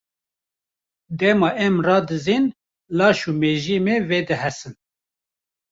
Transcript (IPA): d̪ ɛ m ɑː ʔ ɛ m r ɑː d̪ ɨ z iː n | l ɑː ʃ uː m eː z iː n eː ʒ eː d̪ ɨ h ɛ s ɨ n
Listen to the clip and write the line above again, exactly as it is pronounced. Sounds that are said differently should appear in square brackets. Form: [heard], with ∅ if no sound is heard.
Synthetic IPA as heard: d̪ ɛ m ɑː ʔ ɛ m r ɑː d̪ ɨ z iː n | l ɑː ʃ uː m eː [ʒ] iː [m] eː [v] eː d̪ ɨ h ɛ s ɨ n